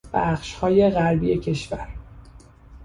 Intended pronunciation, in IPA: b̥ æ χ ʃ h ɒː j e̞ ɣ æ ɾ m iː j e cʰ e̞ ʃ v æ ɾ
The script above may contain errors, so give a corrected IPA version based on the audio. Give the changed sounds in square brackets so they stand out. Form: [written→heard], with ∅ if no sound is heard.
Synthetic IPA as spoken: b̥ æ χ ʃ h ɒː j e̞ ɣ æ ɾ [m→b] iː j e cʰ e̞ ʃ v æ ɾ